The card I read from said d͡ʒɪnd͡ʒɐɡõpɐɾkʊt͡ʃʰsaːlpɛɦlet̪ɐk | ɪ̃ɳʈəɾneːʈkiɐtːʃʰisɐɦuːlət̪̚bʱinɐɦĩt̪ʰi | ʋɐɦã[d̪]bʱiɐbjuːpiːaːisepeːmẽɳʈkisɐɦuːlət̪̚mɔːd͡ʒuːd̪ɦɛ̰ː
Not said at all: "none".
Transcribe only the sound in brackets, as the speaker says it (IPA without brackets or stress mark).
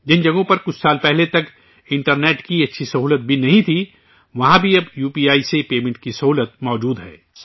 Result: none